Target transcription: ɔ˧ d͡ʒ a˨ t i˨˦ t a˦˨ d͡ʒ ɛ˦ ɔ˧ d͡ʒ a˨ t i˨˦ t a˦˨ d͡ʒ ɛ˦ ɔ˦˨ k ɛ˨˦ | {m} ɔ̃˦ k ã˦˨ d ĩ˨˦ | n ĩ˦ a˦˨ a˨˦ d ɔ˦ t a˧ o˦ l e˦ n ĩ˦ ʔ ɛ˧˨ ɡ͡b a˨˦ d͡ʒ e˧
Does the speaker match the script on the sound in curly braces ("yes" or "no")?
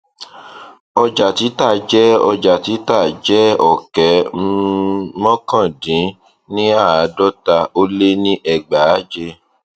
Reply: yes